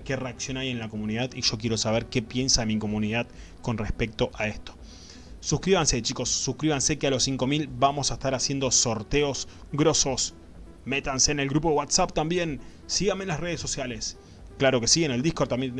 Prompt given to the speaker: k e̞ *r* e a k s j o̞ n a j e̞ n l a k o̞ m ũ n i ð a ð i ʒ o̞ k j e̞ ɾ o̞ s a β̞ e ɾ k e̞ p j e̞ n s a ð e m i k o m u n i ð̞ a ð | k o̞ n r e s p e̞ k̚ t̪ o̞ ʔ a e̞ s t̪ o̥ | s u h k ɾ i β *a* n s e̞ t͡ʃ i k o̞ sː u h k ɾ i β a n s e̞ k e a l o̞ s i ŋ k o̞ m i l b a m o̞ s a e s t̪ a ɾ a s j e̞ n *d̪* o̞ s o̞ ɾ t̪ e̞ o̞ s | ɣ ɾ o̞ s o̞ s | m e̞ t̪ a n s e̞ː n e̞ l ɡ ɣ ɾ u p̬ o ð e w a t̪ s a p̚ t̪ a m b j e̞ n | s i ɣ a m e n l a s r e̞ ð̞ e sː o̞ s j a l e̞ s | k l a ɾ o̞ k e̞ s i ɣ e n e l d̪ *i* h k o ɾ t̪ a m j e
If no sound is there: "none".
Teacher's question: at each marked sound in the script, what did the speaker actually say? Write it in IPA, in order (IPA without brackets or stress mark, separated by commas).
r, a, d̪, i